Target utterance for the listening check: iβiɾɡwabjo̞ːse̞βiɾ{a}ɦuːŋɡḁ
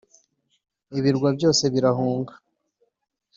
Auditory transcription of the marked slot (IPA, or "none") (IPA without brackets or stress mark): a